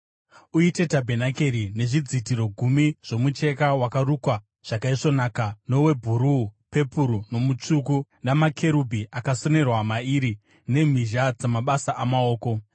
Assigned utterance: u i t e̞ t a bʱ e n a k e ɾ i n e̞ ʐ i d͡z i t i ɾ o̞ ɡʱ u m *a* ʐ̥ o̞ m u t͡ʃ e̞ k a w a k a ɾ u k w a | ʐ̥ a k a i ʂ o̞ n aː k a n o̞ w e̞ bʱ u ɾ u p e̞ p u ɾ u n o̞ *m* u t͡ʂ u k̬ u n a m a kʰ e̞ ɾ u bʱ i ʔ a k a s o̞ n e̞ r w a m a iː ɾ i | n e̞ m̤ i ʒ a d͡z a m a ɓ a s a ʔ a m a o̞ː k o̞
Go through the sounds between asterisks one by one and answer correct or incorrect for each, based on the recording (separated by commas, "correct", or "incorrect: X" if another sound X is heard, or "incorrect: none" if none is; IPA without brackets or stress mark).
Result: incorrect: i, correct